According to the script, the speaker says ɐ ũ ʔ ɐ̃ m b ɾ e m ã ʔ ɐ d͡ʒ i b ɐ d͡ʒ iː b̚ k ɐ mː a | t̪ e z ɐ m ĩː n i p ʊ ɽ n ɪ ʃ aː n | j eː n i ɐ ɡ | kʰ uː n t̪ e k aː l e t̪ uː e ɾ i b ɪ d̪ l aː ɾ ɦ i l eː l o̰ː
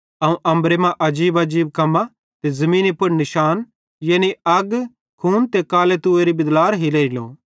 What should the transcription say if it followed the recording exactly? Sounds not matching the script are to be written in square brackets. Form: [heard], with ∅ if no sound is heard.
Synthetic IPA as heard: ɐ ũ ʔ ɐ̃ m b ɾ e m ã ʔ ɐ d͡ʒ [iː] b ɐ d͡ʒ iː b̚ k ɐ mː a | t̪ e z ɐ m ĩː n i p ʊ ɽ n ɪ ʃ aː n | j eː n i ɐ ɡ | kʰ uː n t̪ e k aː l e t̪ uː e ɾ i b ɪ d̪ l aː ɾ ɦ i l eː l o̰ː

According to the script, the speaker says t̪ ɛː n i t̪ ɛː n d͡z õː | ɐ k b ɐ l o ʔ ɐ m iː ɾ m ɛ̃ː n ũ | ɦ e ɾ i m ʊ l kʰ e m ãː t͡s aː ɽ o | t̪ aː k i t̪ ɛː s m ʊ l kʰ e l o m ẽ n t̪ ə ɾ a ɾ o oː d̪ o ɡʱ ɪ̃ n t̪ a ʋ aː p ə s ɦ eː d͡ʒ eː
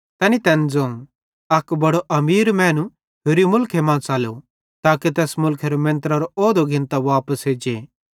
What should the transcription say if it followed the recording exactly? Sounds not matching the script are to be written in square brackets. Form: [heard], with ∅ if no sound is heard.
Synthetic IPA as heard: t̪ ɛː n i t̪ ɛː n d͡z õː | ɐ k b ɐ [ɽ] o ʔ ɐ m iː ɾ m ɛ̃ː n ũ | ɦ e ɾ i m ʊ l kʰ e m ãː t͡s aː [l] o | t̪ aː k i t̪ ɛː s m ʊ l kʰ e [ɾ] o m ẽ n t̪ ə ɾ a ɾ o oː d̪ o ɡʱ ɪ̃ n t̪ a ʋ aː p ə s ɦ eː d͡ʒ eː

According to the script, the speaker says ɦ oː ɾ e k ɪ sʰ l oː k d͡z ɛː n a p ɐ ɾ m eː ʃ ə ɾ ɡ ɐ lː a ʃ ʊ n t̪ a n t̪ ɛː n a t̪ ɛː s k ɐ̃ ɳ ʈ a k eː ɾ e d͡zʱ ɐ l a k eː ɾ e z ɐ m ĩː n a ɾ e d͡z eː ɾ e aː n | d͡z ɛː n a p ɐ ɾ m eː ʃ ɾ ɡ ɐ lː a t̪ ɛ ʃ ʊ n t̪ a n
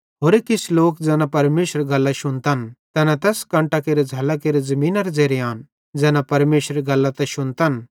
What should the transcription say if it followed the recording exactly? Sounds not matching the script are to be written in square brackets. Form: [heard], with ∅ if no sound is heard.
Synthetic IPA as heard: ɦ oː ɾ e k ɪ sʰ l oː k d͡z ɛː n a p ɐ ɾ m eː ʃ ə ɾ ɡ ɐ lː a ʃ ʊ n t̪ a n t̪ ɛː n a t̪ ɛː s k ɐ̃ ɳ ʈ a k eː ɾ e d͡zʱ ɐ l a k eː ɾ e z ɐ m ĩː n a ɾ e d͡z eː ɾ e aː n | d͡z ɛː n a p ɐ ɾ m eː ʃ ɾ ɡ ɐ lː a t̪ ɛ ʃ ʊ n t̪ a n

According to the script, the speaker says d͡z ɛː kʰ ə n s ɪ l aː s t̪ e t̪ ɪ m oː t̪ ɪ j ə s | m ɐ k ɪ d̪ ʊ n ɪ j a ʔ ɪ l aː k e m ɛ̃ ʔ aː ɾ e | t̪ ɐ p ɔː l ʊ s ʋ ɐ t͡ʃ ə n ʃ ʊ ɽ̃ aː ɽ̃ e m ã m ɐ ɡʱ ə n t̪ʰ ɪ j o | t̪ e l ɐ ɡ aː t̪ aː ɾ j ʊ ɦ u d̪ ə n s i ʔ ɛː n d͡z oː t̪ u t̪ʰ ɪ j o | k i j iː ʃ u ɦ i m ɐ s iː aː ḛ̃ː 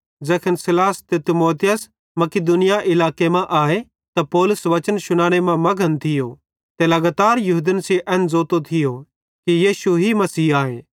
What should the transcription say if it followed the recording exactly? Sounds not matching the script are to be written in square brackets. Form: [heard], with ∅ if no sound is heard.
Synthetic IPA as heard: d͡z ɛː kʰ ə n s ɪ l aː s t̪ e t̪ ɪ m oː t̪ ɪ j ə s | m ɐ k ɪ d̪ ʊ n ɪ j a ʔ ɪ l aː k e m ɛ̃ ʔ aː [∅] e | t̪ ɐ p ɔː l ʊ s ʋ ɐ t͡ʃ ə n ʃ ʊ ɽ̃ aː ɽ̃ e m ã m ɐ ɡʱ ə n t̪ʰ ɪ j o | t̪ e l ɐ ɡ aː t̪ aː ɾ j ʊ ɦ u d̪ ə n s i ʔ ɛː n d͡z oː t̪ [o] t̪ʰ ɪ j o | k i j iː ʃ u ɦ i m ɐ s iː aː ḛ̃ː

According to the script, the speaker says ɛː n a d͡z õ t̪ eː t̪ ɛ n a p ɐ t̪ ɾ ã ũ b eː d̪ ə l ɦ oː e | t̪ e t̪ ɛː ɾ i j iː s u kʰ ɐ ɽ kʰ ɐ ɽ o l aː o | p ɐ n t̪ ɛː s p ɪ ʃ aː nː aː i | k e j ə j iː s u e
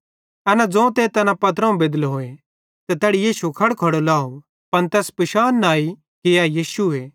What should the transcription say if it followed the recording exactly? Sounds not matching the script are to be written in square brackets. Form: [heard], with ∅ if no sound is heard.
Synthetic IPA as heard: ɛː n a d͡z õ t̪ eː t̪ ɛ n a p ɐ t̪ ɾ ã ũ b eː d̪ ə l ɦ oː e | t̪ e t̪ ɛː [ɽ] i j iː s u kʰ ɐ ɽ kʰ ɐ ɽ o l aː o | p ɐ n t̪ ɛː s p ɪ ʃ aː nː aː i | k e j [a] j iː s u e

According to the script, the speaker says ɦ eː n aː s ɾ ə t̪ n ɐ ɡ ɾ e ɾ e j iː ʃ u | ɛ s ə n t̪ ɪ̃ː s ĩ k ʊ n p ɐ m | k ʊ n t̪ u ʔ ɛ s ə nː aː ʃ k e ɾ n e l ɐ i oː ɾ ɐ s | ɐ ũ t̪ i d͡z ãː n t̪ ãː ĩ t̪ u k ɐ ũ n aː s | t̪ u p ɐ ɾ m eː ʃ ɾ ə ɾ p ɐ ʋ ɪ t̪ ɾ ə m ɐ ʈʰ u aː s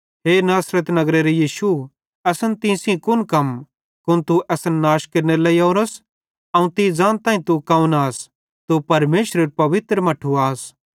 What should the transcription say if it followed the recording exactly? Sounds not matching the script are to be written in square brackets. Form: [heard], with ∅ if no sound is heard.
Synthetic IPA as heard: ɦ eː n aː s ɾ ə t̪ n ɐ ɡ ɾ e ɾ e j iː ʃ u | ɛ s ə n t̪ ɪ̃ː s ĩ k ʊ n [k] ɐ m | k ʊ n t̪ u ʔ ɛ s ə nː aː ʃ k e ɾ n e l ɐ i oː ɾ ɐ s | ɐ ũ t̪ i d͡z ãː n t̪ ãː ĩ t̪ u k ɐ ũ n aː s | t̪ u p ɐ ɾ m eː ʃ ɾ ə ɾ p ɐ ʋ ɪ t̪ ɾ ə m ɐ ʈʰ u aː s

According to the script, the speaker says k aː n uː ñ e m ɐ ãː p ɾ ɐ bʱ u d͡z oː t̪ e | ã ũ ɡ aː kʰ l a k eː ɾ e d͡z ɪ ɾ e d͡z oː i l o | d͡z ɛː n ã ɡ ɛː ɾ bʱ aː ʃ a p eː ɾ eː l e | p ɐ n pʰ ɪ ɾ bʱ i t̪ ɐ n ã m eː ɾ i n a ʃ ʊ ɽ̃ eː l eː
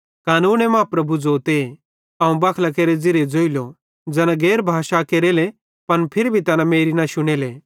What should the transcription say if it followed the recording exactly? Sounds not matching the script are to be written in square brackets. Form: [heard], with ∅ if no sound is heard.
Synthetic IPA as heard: k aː n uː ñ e m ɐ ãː p ɾ ɐ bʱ u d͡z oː t̪ e | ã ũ [b] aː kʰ l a k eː ɾ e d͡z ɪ ɾ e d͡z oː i l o | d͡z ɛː n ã ɡ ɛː ɾ bʱ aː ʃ a [k] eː ɾ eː l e | p ɐ n pʰ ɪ ɾ bʱ i t̪ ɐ n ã m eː ɾ i n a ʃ ʊ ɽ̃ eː l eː

